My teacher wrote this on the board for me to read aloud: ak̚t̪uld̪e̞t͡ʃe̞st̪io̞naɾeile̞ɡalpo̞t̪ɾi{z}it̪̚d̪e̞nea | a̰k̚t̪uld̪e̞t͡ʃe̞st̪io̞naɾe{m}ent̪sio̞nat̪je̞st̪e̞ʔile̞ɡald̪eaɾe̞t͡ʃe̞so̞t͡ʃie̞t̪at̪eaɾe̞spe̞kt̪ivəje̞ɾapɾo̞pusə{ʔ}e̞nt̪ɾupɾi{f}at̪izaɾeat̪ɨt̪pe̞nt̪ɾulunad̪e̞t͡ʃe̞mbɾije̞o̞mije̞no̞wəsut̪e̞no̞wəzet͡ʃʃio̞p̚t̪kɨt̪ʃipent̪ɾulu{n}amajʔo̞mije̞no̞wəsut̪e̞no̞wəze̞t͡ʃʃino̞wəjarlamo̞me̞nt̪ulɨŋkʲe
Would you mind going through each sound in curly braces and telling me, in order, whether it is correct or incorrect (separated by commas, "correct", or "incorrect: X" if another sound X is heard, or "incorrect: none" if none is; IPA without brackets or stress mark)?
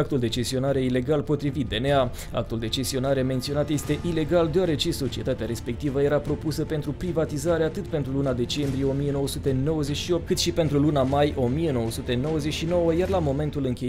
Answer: incorrect: v, correct, incorrect: p, incorrect: v, correct